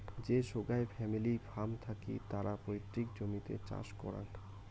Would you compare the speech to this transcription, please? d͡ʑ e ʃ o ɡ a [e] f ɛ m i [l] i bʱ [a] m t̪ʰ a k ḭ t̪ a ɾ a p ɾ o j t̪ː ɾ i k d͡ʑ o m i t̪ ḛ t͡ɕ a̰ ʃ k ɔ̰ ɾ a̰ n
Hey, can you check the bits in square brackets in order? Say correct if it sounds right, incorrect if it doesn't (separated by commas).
correct, correct, correct